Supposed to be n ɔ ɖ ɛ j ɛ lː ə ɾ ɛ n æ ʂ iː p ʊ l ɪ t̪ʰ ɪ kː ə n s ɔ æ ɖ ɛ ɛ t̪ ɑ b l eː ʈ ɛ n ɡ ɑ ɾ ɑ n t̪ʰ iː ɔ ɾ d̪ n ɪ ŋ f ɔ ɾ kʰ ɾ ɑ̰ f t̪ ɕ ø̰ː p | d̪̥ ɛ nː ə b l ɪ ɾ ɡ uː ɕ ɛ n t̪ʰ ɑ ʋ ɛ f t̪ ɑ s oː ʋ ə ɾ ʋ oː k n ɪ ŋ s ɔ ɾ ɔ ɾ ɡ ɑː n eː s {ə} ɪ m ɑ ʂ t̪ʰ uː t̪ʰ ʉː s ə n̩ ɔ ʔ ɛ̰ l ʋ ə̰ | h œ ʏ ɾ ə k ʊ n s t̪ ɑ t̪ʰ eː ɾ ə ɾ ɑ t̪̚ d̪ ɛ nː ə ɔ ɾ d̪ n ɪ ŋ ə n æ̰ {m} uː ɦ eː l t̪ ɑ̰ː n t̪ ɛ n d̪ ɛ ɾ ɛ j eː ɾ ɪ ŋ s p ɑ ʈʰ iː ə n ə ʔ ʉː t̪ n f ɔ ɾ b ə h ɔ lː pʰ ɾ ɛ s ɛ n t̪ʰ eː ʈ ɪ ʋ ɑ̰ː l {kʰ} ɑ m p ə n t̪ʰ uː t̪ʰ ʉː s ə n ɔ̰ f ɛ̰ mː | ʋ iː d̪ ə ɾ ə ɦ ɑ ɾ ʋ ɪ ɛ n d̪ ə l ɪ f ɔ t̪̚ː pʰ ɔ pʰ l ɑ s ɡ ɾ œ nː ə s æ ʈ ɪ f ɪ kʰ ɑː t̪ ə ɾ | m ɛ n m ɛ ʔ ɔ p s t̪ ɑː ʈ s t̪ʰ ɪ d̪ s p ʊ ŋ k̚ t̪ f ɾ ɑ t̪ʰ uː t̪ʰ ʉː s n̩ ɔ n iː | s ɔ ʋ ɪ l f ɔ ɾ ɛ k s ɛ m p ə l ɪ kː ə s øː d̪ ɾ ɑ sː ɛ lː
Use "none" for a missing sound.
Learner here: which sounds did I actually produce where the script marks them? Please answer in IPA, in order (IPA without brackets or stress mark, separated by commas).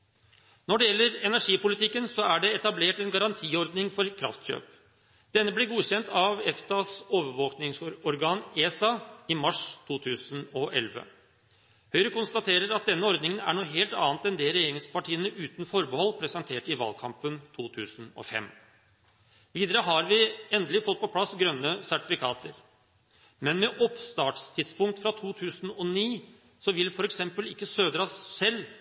ɑ, ɳ, kʰ